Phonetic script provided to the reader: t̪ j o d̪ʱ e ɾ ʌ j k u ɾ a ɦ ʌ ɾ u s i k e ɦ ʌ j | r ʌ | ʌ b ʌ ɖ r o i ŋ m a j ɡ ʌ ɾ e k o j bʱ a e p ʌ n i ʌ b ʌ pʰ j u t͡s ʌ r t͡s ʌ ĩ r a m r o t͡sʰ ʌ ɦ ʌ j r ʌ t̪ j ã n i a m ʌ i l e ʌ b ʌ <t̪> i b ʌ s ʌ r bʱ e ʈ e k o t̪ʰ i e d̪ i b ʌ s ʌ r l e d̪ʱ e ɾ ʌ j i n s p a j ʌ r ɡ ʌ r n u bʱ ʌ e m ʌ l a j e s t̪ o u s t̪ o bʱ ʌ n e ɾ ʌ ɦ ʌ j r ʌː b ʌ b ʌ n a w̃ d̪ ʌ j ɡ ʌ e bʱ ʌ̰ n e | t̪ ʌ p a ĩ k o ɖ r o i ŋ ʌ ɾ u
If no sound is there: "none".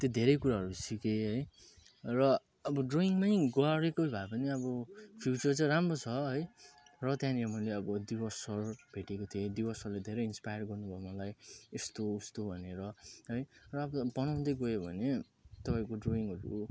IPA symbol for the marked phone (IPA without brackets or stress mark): d̪